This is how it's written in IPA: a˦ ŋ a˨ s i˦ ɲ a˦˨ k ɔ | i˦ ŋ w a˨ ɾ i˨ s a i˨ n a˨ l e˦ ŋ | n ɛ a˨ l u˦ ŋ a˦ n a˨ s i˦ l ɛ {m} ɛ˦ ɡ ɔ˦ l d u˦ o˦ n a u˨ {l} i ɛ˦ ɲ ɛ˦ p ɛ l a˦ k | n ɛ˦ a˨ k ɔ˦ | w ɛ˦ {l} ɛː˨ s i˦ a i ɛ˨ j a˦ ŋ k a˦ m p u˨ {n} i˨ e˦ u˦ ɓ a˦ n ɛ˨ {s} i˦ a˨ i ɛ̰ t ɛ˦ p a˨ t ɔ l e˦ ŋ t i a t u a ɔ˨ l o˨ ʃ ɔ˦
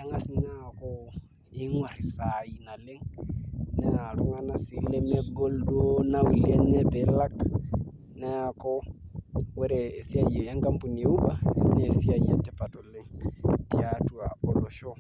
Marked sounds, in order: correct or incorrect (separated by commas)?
correct, correct, incorrect, correct, correct